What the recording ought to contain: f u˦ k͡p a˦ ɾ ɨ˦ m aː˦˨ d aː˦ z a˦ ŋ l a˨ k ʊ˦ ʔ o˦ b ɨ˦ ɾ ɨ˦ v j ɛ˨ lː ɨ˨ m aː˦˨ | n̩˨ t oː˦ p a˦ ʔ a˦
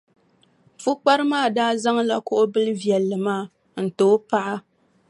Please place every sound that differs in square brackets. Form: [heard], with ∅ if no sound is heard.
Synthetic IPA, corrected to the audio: f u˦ k͡p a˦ ɾ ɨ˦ m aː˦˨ d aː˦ z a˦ ŋ l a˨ k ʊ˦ ʔ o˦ b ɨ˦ [l] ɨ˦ v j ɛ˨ lː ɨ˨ m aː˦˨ | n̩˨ t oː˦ p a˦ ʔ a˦